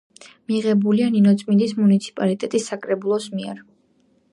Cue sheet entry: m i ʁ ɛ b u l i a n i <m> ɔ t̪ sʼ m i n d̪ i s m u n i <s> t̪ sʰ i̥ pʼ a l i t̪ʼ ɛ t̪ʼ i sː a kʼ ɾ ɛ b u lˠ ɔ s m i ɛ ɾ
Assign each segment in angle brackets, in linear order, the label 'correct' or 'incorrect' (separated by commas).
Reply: incorrect, incorrect